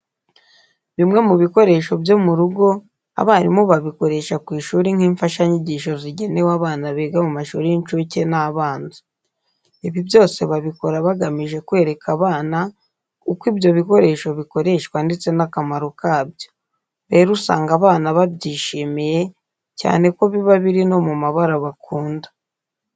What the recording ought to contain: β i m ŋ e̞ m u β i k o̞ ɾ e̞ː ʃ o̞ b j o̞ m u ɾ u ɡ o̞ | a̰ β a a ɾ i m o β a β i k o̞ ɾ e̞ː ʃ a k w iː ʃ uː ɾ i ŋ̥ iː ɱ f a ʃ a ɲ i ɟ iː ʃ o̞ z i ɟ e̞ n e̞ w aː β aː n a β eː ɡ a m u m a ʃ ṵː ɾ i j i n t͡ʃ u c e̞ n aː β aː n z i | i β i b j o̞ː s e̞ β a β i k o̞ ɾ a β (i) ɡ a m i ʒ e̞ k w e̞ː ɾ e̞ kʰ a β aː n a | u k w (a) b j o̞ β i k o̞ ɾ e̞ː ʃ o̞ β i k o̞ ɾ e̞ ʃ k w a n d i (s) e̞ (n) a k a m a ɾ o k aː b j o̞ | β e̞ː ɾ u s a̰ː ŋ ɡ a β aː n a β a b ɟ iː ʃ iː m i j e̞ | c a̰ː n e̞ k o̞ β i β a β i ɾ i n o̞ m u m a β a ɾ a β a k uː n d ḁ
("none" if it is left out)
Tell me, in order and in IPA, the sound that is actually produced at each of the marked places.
a, i, t͡s, n

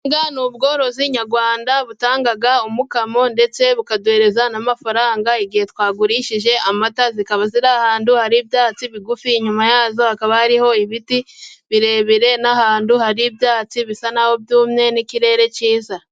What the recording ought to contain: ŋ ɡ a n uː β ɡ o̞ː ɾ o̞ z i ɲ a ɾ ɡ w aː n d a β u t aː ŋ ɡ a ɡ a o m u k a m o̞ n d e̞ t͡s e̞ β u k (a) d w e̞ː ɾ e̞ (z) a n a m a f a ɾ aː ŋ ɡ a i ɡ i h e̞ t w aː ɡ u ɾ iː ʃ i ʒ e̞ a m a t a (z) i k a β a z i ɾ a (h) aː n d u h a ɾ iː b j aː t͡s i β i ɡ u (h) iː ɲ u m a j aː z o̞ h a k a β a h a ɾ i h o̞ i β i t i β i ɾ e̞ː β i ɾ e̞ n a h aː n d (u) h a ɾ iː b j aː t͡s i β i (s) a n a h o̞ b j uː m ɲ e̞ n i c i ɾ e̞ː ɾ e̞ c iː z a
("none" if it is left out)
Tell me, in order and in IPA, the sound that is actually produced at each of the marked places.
a, z, z, h, f, u, s

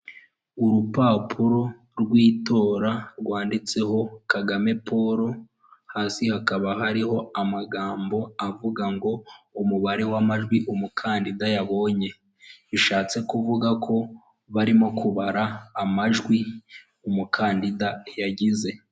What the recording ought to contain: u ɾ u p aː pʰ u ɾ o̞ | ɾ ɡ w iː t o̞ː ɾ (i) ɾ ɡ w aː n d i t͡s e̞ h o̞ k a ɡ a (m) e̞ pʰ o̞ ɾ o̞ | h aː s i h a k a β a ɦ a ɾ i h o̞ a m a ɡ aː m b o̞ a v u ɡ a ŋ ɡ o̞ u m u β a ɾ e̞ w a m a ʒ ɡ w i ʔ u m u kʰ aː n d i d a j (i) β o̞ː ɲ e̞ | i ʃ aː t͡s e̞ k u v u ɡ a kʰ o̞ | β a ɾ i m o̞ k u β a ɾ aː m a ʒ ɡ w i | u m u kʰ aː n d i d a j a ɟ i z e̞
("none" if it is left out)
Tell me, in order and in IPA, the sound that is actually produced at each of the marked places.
a, m, a

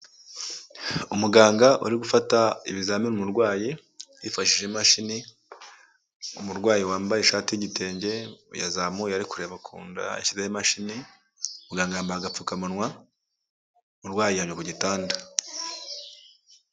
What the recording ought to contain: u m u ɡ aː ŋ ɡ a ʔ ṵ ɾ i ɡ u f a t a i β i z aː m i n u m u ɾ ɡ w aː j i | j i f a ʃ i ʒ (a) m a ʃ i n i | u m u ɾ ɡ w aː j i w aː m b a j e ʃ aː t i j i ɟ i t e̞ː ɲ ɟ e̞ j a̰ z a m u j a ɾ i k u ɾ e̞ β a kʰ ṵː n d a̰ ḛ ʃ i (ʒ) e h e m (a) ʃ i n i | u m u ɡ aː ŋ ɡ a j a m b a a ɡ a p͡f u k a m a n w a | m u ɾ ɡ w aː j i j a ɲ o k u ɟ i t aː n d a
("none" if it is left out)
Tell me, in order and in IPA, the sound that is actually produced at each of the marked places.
e, z, a

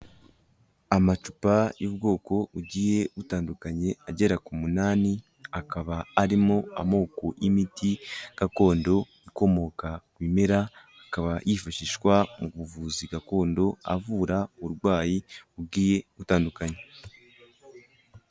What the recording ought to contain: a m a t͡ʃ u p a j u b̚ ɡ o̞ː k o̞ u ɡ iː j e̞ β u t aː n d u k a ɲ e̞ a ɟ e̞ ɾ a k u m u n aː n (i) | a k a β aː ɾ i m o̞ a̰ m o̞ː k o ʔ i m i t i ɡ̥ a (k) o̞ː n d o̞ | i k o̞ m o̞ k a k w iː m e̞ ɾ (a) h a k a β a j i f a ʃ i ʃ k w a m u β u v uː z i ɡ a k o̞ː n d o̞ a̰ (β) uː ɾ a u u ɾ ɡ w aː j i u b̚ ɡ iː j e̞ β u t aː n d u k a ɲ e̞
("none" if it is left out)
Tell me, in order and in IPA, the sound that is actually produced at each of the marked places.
i, k, a, v

